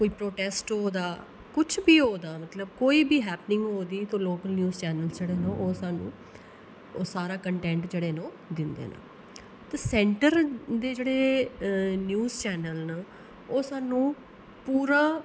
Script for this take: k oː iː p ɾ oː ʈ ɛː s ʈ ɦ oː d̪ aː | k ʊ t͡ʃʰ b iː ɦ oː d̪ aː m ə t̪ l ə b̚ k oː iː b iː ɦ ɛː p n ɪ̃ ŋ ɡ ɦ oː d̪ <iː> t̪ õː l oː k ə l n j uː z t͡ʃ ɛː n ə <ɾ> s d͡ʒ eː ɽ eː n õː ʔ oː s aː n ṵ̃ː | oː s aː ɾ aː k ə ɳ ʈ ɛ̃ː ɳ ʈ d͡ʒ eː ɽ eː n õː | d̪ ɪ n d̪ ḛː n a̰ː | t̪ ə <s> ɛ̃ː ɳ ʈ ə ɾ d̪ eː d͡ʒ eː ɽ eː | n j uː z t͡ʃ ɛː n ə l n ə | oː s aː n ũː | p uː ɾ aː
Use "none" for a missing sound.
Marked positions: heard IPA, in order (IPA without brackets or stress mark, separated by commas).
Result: iː, l, s